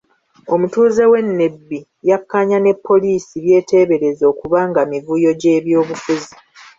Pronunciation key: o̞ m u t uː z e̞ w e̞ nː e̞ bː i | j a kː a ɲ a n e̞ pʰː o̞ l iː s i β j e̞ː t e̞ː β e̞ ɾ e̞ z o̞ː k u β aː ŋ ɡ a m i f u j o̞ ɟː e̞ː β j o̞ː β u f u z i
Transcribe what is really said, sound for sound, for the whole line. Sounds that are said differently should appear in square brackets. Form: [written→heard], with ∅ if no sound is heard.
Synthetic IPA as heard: o̞ m u t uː z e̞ w e̞ nː e̞ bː i | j a kː a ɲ a n e̞ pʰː o̞ l iː s i β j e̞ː t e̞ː β e̞ ɾ e̞ z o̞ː k u β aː ŋ ɡ a m i [f→v] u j o̞ [ɟː→ɟ] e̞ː β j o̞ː β u f u z i